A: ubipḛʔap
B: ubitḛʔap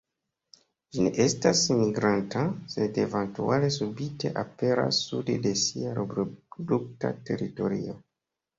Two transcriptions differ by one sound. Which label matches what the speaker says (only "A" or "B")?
B